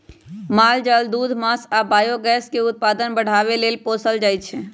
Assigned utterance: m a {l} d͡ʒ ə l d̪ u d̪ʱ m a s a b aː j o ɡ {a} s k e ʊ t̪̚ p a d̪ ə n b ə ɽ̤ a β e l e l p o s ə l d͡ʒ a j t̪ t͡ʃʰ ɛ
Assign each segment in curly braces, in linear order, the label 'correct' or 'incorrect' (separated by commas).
correct, incorrect